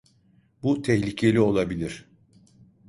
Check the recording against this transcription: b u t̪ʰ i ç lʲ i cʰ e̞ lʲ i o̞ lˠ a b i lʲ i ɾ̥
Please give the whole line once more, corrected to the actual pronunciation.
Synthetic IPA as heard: b u t̪ʰ ɛ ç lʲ i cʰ e̞ lʲ i o̞ lˠ a b i lʲ i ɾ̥